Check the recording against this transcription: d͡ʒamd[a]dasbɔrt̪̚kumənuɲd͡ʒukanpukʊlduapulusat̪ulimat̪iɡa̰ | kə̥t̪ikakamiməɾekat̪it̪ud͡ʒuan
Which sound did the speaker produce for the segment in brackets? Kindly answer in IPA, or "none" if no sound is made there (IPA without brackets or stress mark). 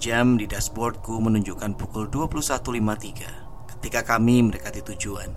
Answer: i